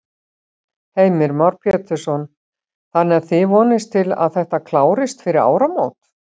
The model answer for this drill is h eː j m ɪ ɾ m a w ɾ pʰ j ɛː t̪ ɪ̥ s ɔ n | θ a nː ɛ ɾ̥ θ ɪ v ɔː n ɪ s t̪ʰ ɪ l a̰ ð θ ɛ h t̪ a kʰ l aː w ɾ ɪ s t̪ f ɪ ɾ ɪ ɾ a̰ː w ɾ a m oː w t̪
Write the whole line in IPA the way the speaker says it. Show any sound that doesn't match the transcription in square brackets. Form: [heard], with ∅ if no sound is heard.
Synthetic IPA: h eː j m ɪ ɾ m a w ɾ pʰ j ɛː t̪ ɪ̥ s ɔ n | θ a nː ɛ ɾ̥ θ ɪ v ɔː n ɪ s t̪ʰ ɪ l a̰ ð θ ɛ h t̪ a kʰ l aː w ɾ ɪ s t̪ f ɪ ɾ ɪ ɾ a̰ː w ɾ a m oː w t̪